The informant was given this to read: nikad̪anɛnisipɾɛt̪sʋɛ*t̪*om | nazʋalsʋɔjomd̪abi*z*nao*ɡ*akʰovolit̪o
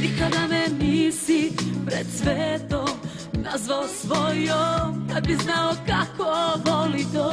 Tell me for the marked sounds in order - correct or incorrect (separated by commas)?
correct, correct, incorrect